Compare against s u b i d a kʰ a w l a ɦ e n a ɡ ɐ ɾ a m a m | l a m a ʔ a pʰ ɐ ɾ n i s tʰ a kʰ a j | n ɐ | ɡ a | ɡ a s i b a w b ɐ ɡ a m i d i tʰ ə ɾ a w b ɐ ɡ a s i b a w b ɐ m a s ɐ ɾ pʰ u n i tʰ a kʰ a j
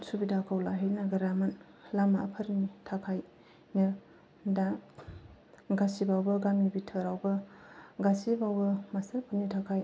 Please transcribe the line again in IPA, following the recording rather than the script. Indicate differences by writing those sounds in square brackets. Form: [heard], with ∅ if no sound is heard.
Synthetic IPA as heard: s u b i d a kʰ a w l a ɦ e n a ɡ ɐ ɾ a m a [n] | l a m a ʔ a pʰ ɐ ɾ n i [∅] tʰ a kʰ a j | n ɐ | [d] a | ɡ a s i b a w b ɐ ɡ a m i [b] i tʰ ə ɾ a w b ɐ ɡ a s i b a w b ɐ m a s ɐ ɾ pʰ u n i tʰ a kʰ a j